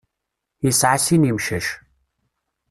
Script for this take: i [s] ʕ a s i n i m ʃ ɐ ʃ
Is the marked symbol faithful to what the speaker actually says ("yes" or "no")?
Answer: yes